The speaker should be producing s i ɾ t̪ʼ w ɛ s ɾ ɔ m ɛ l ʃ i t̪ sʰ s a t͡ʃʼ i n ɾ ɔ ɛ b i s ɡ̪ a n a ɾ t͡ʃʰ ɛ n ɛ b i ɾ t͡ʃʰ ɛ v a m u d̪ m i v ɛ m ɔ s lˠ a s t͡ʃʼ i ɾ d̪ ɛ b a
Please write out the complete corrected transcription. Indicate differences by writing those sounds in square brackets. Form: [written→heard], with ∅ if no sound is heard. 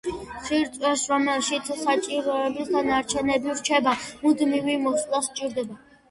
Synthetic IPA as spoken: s i ɾ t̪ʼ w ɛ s ɾ ɔ m ɛ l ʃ i t̪ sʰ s a t͡ʃʼ i [n→∅] ɾ ɔ ɛ b i s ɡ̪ a n a ɾ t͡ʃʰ ɛ n ɛ b i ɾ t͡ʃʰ ɛ [v→b] a m u d̪ m i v [ɛ→i] m ɔ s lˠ a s t͡ʃʼ i ɾ d̪ ɛ b a